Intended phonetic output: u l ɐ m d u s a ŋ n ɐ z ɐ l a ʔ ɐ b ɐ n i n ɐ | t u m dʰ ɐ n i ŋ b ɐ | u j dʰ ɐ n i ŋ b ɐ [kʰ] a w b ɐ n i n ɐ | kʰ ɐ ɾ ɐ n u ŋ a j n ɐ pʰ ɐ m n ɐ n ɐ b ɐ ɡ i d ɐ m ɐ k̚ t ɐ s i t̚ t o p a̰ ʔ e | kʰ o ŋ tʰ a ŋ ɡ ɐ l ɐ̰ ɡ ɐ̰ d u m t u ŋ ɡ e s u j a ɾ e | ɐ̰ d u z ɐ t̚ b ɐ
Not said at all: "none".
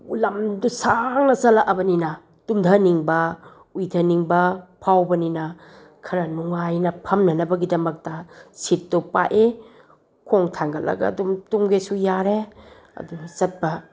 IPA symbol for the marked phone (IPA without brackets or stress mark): pʰ